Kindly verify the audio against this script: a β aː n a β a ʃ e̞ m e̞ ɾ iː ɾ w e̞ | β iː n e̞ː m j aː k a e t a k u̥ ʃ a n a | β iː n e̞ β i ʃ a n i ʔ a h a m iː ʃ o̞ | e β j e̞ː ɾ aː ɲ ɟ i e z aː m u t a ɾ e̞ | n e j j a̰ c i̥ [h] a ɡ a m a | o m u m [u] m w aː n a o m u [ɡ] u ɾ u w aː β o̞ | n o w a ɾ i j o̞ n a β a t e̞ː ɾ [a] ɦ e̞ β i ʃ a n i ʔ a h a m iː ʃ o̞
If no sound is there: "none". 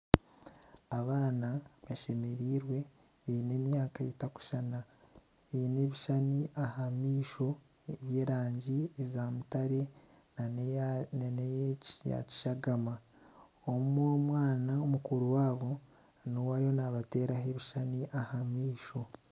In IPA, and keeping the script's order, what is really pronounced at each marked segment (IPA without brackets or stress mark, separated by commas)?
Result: ʃ, o, k, a